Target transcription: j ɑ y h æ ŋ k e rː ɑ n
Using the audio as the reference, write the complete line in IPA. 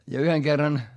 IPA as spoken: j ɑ y h e ŋ k e rː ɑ n